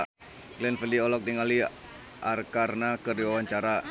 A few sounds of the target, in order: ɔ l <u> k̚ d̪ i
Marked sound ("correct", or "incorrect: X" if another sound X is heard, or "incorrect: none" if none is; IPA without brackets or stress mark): incorrect: ɔ